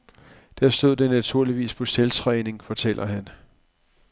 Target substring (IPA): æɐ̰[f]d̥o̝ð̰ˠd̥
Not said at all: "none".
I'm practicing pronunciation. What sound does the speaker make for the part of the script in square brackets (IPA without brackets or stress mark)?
s